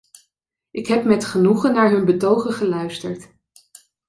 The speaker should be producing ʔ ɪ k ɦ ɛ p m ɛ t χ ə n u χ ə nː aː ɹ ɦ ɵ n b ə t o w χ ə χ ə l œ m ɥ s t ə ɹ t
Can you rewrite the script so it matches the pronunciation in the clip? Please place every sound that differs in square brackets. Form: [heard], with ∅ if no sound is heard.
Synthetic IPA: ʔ ɪ k ɦ ɛ p m ɛ t χ ə n u χ ə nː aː ɹ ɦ ɵ n b ə t o w χ ə χ ə l œ [∅] ɥ s t ə ɹ t